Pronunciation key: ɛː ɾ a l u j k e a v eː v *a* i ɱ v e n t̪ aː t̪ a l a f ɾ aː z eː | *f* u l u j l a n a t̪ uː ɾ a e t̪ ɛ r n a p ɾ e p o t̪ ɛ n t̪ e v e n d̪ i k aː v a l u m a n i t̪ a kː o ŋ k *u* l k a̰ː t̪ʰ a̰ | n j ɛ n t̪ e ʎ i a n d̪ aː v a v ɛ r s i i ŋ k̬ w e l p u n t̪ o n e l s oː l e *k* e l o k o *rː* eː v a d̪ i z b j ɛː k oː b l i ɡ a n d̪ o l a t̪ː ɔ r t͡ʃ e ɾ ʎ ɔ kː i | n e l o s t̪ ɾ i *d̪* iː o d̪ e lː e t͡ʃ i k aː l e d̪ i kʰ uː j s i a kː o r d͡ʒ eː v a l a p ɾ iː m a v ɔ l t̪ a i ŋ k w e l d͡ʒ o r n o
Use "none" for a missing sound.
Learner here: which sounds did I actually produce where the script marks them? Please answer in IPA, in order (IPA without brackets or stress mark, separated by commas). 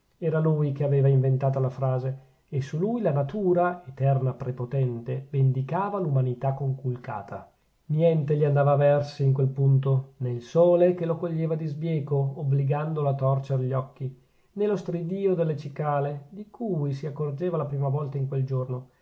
a, s, u, k, ʎː, d̪